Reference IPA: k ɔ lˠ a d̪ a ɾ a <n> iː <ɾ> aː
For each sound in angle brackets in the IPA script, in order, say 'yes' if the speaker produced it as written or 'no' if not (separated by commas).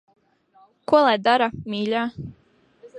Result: no, no